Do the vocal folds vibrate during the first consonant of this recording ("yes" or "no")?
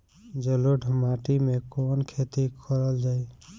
yes